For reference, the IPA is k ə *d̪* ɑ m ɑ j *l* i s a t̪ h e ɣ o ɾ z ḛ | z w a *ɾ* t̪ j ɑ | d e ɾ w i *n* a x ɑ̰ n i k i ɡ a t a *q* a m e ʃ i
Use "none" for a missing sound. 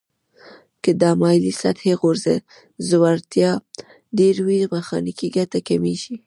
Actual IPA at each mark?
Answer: d̪, l, ɾ, m, k

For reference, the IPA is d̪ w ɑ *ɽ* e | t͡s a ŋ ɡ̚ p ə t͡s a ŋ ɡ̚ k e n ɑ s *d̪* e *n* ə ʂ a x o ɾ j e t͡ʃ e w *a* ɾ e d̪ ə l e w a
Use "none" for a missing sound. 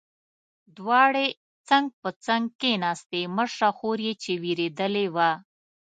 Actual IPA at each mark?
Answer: ɽ, t̪, m, i

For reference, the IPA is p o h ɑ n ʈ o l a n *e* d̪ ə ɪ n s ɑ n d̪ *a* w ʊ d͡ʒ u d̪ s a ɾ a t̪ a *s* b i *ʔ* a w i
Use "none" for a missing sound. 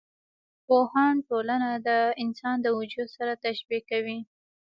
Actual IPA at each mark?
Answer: a, ə, ʃ, k

